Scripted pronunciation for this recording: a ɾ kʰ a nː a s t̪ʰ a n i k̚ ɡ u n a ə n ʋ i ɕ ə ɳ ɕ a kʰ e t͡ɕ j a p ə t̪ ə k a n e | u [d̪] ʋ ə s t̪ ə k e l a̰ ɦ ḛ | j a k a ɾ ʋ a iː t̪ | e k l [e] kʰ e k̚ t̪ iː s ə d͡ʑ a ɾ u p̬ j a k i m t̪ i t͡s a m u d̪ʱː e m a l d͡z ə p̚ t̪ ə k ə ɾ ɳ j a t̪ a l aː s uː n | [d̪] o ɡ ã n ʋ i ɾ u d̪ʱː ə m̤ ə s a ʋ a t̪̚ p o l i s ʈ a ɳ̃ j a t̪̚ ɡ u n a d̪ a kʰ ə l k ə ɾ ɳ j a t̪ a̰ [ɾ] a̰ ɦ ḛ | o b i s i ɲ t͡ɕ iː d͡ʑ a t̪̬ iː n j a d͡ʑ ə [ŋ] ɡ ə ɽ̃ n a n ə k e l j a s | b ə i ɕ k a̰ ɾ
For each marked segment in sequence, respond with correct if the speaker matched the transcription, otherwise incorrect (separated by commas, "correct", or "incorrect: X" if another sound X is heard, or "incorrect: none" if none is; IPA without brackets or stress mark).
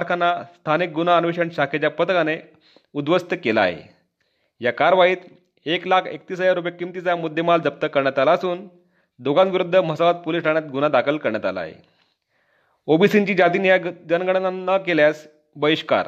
correct, incorrect: a, correct, incorrect: l, incorrect: n